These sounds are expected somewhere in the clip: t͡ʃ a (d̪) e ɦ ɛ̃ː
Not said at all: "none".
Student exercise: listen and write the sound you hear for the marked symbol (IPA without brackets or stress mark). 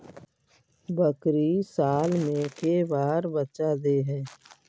d̪